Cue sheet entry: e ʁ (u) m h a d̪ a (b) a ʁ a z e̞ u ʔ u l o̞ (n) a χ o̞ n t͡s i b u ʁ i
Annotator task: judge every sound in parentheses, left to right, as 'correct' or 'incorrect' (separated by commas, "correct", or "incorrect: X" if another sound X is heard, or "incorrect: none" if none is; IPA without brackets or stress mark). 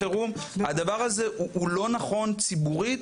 correct, incorrect: v, correct